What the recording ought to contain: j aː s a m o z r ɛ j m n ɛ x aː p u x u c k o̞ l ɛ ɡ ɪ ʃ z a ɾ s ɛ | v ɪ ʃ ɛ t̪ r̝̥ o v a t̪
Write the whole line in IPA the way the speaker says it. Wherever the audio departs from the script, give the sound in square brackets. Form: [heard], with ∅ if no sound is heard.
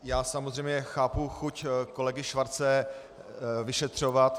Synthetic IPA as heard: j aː s a m o z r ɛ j m [ɲ] ɛ x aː p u x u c k o̞ l ɛ ɡ ɪ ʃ [v] a ɾ [t͡s] ɛ | v ɪ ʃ ɛ t̪ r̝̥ o v a t̪